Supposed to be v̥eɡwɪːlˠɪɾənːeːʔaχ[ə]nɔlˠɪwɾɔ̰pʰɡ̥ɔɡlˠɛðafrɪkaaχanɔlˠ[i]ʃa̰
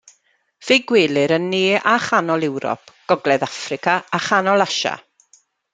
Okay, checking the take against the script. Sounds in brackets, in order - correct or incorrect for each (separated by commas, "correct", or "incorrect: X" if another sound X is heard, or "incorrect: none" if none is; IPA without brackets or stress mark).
incorrect: a, incorrect: a